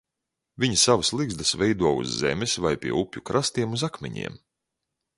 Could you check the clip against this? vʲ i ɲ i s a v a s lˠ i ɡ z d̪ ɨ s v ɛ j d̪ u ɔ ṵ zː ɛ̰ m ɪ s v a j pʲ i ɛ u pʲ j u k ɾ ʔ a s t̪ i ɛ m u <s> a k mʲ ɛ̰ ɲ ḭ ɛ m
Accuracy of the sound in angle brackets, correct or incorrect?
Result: incorrect